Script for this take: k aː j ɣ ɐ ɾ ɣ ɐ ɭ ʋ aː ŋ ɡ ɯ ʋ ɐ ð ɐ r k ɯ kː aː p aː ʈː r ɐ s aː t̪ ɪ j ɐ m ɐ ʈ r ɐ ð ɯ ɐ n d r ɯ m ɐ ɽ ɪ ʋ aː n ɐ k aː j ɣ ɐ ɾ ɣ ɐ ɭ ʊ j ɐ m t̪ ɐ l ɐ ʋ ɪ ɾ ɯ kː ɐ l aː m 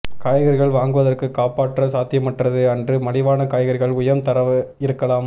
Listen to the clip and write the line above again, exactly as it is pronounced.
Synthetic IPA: k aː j ɣ ɐ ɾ ɣ ɐ ɭ ʋ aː ŋ ɡ ɯ ʋ ɐ ð ɐ r k ɯ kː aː p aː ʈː r ɐ s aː t̪ ɪ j ɐ m ɐ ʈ r ɐ ð ɯ ɐ n d r ɯ m ɐ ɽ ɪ ʋ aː n ɐ k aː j ɣ ɐ ɾ ɣ ɐ ɭ ʊ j ɐ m t̪ ɐ ɾ ɐ ʋ ɪ ɾ ɯ kː ɐ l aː m

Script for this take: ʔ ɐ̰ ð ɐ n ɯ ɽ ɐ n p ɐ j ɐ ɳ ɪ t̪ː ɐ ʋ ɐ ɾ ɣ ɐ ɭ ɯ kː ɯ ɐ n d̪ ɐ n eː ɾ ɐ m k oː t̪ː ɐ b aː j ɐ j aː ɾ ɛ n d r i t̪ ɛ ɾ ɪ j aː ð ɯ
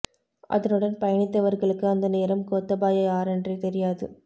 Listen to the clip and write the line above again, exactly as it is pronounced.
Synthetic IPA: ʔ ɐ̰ ð ɐ n ɯ ɽ ɐ n p ɐ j ɐ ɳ ɪ t̪ː ɐ ʋ ɐ ɾ ɣ ɐ ɭ ɯ kː ɯ ɐ n d̪ ɐ n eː ɾ ɐ m k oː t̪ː ɐ b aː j ɐ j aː ɾ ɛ n d r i t̪ ɛ ɾ ɪ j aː ð ɯ

